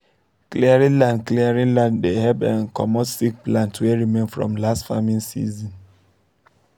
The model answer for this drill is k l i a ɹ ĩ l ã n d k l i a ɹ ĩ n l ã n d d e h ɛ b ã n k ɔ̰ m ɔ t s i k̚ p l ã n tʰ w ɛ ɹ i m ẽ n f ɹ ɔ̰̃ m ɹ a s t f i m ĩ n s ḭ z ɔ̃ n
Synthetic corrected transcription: k l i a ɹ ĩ l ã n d k l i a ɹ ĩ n l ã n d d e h ɛ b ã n k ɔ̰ m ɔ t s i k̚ p l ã n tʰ w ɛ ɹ i m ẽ n f ɹ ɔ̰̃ m l a s t f a m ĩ n s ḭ z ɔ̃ n